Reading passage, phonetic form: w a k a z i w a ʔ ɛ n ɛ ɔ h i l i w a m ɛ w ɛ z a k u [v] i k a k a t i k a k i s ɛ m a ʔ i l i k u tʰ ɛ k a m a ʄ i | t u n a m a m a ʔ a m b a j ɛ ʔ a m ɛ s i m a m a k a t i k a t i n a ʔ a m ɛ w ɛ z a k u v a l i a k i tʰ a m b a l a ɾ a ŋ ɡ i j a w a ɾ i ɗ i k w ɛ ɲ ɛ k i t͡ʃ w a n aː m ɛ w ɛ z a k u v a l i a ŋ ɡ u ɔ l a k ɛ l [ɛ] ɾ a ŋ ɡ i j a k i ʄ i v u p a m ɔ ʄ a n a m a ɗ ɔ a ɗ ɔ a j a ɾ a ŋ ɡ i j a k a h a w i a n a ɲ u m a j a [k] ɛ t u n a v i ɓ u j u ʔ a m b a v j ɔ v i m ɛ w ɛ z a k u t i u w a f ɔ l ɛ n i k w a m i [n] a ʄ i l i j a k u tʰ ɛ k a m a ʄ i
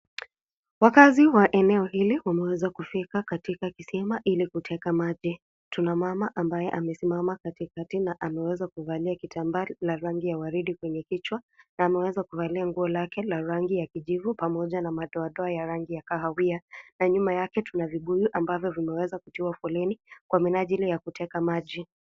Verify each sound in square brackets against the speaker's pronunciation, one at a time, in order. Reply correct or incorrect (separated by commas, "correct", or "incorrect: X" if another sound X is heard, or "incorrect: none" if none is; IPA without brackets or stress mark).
incorrect: f, incorrect: a, correct, correct